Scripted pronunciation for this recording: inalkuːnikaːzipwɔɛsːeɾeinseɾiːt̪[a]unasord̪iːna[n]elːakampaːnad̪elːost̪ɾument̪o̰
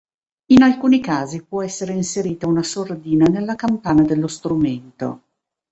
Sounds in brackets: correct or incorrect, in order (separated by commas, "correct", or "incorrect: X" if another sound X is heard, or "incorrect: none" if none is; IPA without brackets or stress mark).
correct, correct